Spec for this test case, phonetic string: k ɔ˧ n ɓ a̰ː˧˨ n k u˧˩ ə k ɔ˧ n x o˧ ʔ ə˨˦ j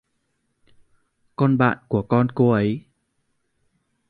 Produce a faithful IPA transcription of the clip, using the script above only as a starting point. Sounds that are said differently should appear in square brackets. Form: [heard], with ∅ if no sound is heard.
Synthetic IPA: k ɔ˧ n ɓ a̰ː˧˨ n k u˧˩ ə k ɔ˧ n [k] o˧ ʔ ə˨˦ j